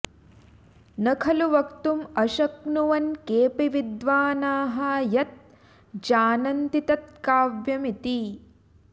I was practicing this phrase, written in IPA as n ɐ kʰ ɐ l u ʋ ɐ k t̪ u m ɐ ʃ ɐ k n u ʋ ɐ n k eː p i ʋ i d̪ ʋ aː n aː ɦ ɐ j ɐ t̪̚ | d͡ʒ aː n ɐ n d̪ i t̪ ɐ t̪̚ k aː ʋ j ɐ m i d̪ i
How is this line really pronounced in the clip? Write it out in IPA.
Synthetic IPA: n ɐ kʰ ɐ l u ʋ ɐ k t̪ u m ɐ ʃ ɐ k n u ʋ ɐ n k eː p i ʋ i d̪ ʋ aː n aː ɦ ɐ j ɐ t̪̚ | d͡ʒ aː n ɐ n t̪ i t̪ ɐ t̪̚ k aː ʋ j ɐ m i t̪ i